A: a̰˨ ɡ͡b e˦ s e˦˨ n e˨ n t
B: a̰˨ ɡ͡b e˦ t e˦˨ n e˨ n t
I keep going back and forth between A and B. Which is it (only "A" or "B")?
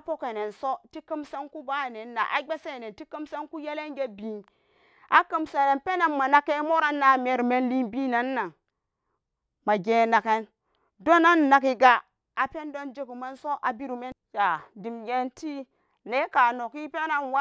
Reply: A